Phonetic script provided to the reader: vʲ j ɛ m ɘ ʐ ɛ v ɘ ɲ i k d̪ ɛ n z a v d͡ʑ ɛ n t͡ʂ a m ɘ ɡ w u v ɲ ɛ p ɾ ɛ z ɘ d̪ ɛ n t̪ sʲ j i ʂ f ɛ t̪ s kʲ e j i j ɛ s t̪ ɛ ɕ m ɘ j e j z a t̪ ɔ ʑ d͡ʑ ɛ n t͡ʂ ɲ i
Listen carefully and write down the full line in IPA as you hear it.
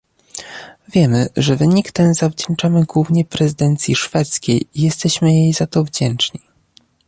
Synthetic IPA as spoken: vʲ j ɛ m ɘ ʐ ɛ v ɘ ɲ i k t̪ ɛ n z a v d͡ʑ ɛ n t͡ʂ a m ɘ ɡ w u v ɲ ɛ p ɾ ɛ z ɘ d̪ ɛ n t̪ sʲ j i ʂ f ɛ t̪ s kʲ e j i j ɛ s t̪ ɛ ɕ m ɘ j e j z a t̪ ɔ v d͡ʑ ɛ n t͡ʂ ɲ i

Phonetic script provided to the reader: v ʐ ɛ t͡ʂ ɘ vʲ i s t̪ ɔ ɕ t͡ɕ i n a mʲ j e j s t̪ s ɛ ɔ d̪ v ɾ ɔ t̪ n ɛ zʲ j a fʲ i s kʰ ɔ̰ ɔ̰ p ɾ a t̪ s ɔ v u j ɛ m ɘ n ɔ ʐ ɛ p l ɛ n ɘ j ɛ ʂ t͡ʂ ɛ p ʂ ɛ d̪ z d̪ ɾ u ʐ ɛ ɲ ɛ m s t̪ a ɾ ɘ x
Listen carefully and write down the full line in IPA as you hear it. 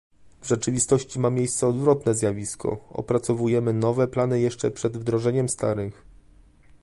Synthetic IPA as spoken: v ʐ ɛ t͡ʂ ɘ vʲ i s t̪ ɔ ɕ t͡ɕ i m a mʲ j e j s t̪ s ɛ ɔ d̪ v ɾ ɔ t̪ n ɛ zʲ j a vʲ i s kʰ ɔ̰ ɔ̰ p ɾ a t̪ s ɔ v u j ɛ m ɘ n ɔ v ɛ p l a n ɘ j ɛ ʂ t͡ʂ ɛ p ʂ ɛ d̪ v d̪ ɾ ɔ ʐ ɛ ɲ ɛ m s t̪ a ɾ ɘ x

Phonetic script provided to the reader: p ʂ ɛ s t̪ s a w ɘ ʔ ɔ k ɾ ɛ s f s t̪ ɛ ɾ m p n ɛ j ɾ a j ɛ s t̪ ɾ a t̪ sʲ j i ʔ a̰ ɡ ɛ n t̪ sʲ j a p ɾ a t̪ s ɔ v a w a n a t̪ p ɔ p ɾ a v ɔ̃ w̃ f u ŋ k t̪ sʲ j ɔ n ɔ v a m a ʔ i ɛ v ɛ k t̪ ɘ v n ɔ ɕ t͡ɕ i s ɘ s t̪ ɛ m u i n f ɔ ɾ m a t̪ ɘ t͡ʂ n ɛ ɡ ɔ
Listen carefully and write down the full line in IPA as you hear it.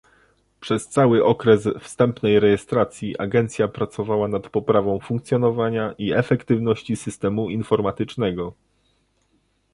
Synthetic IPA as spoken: p ʂ ɛ s t̪ s a w ɘ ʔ ɔ k ɾ ɛ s f s t̪ ɛ m p n ɛ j ɾ ɛ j ɛ s t̪ ɾ a t̪ sʲ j i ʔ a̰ ɡ ɛ n t̪ sʲ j a p ɾ a t̪ s ɔ v a w a n a t̪ p ɔ p ɾ a v ɔ̃ w̃ f u ŋ k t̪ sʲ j ɔ n ɔ v a ɲ a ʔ i ɛ f ɛ k t̪ ɘ v n ɔ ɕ t͡ɕ i s ɘ s t̪ ɛ m u i n f ɔ ɾ m a t̪ ɘ t͡ʂ n ɛ ɡ ɔ

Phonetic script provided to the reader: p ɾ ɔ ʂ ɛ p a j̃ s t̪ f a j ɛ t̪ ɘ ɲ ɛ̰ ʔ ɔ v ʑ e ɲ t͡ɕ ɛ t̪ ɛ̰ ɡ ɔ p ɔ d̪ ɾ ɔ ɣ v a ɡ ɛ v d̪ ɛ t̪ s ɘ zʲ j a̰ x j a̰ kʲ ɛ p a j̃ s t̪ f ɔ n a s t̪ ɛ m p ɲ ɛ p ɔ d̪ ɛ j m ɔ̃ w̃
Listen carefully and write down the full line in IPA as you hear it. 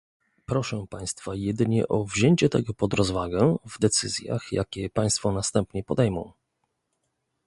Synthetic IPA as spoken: p ɾ ɔ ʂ ɛ p a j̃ s t̪ f a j ɛ d̪ ɘ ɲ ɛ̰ ʔ ɔ v ʑ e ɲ t͡ɕ ɛ t̪ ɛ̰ ɡ ɔ p ɔ d̪ ɾ ɔ z v a ɡ ɛ v d̪ ɛ t̪ s ɘ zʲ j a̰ x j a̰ kʲ ɛ p a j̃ s t̪ f ɔ n a s t̪ ɛ m p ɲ ɛ p ɔ d̪ ɛ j m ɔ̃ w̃

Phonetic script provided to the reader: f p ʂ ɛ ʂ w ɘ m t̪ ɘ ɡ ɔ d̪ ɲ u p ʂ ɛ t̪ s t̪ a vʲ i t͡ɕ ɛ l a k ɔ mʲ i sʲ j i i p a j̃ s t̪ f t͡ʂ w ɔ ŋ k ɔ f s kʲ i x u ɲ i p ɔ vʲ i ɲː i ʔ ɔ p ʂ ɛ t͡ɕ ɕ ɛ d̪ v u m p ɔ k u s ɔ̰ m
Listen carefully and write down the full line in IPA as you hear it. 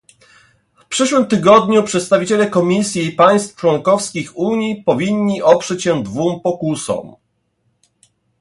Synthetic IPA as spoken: f p ʂ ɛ ʂ w ɘ m t̪ ɘ ɡ ɔ d̪ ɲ u p ʂ ɛ t̪ s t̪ a vʲ i t͡ɕ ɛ l ɛ k ɔ mʲ i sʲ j i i p a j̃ s t̪ f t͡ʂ w ɔ ŋ k ɔ f s kʲ i x u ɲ i p ɔ vʲ i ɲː i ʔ ɔ p ʂ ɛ t͡ɕ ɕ ɛ d̪ v u m p ɔ k u s ɔ̰ m

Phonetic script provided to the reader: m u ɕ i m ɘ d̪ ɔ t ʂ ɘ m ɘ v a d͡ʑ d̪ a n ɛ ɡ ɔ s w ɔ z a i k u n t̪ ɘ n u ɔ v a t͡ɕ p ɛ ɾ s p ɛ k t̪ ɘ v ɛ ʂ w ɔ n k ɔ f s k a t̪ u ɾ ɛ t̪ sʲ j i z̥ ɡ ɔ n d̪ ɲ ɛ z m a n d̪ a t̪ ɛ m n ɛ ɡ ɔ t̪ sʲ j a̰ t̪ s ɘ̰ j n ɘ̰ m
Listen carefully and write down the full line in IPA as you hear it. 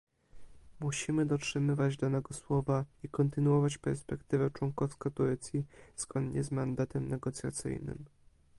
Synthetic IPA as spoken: m u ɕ i m ɘ d̪ ɔ t ʂ ɘ m ɘ v a d͡ʑ d̪ a n ɛ ɡ ɔ s w ɔ v a i k ɔ n t̪ ɘ n u ɔ v a t͡ɕ p ɛ ɾ s p ɛ k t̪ ɘ v ɛ t͡ʂ w ɔ ŋ k ɔ f s k a t̪ u ɾ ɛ t̪ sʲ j i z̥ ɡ ɔ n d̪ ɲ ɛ z m a n d̪ a t̪ ɛ m n ɛ ɡ ɔ t̪ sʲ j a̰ t̪ s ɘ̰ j n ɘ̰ m

